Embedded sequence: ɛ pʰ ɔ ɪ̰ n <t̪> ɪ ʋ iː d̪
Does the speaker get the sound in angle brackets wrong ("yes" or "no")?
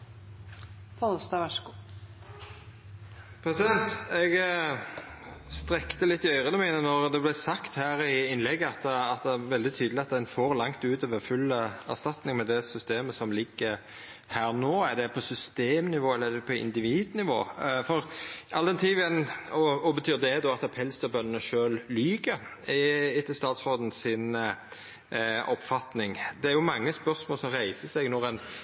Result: yes